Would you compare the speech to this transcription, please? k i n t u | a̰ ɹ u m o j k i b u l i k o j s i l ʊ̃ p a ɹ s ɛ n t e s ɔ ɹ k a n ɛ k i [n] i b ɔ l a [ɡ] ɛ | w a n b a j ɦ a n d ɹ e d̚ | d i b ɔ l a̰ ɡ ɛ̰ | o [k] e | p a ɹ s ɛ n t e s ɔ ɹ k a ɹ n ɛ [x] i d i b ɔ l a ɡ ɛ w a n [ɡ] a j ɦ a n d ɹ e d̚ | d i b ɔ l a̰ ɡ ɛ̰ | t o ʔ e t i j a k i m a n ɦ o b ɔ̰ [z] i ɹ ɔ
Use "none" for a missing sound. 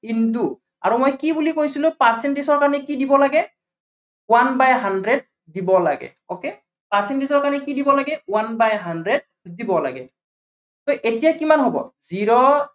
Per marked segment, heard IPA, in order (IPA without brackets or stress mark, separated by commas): d, ɡ, k, k, b, z